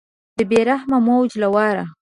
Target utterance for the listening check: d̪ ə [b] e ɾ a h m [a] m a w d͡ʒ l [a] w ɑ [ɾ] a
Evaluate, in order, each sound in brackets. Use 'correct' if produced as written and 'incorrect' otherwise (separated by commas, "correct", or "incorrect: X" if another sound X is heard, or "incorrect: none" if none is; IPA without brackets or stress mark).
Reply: correct, correct, correct, correct